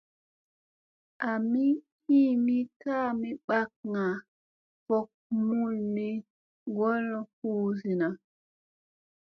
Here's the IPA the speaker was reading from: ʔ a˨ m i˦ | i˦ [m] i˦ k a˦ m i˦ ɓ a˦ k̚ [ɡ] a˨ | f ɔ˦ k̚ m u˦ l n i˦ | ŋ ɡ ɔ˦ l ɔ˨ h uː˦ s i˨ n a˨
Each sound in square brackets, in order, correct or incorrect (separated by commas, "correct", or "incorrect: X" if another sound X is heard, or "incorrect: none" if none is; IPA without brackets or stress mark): correct, incorrect: ŋ